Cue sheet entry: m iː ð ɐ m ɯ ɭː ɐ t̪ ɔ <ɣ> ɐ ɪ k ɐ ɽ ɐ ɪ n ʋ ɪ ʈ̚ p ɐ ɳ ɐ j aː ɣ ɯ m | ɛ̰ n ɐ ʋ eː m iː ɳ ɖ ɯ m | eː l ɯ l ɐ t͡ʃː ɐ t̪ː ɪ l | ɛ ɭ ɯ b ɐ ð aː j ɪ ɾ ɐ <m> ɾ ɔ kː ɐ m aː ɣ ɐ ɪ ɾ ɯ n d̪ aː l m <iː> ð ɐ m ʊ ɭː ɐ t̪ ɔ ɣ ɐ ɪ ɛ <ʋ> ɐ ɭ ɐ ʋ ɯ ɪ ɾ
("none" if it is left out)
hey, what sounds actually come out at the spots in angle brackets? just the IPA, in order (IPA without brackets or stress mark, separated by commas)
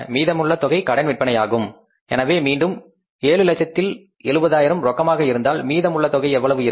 ɣ, m, iː, ʋː